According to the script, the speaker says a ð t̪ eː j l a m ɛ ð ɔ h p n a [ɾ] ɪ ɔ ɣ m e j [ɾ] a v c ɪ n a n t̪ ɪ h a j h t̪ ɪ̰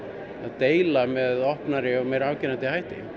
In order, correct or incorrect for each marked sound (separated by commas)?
correct, correct